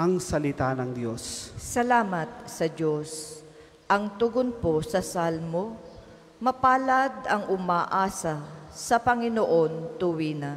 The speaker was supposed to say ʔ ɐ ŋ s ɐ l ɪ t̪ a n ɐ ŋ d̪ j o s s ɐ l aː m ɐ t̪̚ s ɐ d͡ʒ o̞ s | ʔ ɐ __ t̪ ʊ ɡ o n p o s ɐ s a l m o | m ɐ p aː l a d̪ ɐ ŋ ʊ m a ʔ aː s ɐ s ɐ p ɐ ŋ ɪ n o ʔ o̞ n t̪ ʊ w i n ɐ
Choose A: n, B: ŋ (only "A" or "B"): B